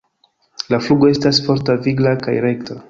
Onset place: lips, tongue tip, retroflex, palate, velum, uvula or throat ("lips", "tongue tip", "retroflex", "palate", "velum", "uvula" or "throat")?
tongue tip